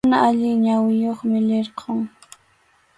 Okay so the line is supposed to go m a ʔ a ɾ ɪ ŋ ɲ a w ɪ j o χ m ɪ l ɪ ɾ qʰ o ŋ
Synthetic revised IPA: n a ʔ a ʎ ɪ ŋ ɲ a w ɪ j o χ m ɪ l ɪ ɾ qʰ o ŋ